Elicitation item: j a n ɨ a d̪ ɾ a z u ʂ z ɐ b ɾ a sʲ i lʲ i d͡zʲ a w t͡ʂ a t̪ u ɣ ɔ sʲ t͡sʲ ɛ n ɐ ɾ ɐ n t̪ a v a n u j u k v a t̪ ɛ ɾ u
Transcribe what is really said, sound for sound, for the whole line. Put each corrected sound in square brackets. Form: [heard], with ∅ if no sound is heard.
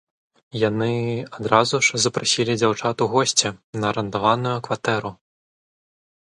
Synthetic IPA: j a n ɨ a d̪ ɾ a z u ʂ z ɐ [p] ɾ a sʲ i lʲ i d͡zʲ a w t͡ʂ a t̪ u ɣ ɔ sʲ t͡sʲ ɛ n ɐ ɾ ɐ n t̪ a v a n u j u k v a t̪ ɛ ɾ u